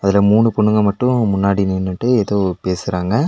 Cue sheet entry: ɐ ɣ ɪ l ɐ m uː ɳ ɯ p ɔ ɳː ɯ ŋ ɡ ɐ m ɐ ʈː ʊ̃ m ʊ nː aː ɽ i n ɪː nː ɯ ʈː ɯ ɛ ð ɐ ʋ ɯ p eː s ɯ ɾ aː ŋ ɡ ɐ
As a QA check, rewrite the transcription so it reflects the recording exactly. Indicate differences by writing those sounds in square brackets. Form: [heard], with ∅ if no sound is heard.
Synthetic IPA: ɐ [ð] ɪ l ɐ m uː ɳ ɯ p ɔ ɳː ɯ ŋ ɡ ɐ m ɐ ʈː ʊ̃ m ʊ nː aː ɽ i n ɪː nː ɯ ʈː ɯ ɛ ð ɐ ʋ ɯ p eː s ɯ ɾ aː ŋ ɡ ɐ